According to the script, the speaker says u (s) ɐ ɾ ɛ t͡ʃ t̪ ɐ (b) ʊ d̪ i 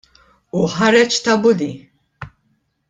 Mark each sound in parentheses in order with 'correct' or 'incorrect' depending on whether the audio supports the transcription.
incorrect: ħ, correct

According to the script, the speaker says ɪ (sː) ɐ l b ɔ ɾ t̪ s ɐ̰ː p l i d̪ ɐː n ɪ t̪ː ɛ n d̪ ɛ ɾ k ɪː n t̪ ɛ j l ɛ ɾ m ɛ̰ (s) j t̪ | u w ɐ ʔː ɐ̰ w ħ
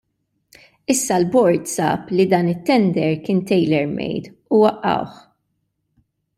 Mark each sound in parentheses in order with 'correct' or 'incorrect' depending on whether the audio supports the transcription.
correct, incorrect: none

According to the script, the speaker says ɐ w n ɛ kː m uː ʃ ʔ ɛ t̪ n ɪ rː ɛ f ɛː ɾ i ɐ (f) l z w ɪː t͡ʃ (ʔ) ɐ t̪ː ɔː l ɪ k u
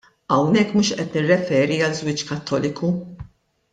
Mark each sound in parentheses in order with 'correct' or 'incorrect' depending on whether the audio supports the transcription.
incorrect: none, incorrect: k

